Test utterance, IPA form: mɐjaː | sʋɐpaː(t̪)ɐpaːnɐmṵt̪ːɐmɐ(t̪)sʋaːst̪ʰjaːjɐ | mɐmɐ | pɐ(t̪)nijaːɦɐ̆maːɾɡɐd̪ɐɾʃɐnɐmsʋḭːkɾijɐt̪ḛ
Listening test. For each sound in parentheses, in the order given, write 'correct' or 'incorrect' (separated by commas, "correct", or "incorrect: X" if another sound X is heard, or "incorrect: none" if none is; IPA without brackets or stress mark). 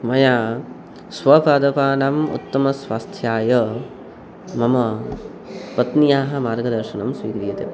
incorrect: d̪, incorrect: none, correct